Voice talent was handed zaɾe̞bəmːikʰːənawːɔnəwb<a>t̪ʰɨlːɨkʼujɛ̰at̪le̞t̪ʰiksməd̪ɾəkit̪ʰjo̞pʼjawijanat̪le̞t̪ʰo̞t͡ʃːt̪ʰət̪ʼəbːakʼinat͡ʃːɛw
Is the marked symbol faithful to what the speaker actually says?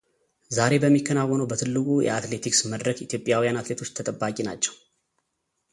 no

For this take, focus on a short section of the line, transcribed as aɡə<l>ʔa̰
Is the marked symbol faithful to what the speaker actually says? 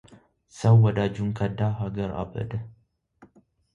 no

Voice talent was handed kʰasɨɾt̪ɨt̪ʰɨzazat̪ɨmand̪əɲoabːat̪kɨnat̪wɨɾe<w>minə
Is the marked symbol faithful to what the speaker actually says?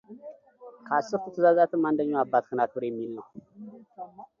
no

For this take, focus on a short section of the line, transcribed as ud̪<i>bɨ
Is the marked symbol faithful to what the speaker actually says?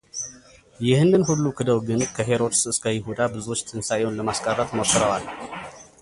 no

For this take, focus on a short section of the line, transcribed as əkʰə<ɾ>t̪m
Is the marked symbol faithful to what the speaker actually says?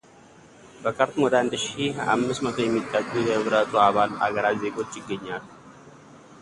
yes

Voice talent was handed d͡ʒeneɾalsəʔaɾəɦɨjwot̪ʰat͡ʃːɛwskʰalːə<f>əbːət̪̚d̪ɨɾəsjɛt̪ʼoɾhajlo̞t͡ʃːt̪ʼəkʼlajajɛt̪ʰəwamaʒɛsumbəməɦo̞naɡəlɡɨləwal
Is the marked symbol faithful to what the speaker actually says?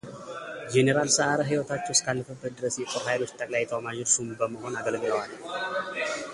yes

